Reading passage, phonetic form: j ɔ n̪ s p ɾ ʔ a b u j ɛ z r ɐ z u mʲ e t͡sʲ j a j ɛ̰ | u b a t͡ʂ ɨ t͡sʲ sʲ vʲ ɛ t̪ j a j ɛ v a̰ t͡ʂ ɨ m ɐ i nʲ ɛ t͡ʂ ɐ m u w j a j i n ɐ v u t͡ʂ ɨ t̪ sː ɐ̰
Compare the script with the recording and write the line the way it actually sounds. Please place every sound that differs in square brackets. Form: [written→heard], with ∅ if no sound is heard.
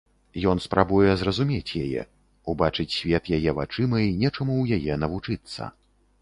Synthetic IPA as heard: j ɔ n̪ s p ɾ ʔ a b u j ɛ z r ɐ z u mʲ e t͡sʲ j a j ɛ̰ | u b a t͡ʂ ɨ t͡sʲ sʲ vʲ ɛ t̪ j a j ɛ v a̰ t͡ʂ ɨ m ɐ i nʲ ɛ t͡ʂ ɐ m u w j a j [i→ɛ] n ɐ v u t͡ʂ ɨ t̪ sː ɐ̰